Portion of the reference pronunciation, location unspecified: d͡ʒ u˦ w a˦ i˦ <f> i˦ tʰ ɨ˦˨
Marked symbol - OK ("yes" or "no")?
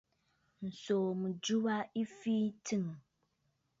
yes